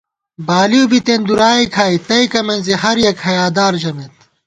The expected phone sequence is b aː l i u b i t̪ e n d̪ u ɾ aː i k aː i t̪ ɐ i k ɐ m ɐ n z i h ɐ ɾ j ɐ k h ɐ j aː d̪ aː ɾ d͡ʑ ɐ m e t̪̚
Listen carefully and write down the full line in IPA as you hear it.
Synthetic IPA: b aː l i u b i t̪ e n d̪ u ɾ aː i kʰ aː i t̪ ɐ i k ɐ m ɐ n z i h ɐ ɾ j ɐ k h ɐ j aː d̪ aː ɾ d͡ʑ ɐ m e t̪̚